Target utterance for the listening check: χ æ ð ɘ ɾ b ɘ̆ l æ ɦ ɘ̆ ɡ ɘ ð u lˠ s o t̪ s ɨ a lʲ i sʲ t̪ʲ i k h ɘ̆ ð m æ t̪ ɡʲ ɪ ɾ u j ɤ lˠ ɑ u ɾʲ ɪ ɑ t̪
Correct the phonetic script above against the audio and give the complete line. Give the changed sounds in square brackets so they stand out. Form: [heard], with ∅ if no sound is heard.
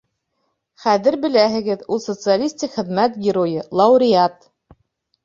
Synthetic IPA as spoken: χ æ ð ɘ ɾ b ɘ̆ l æ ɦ ɘ̆ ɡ ɘ ð u lˠ s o t̪ s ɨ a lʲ i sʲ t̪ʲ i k [χ] ɘ̆ ð m æ t̪ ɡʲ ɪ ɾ [o] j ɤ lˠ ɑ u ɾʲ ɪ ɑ t̪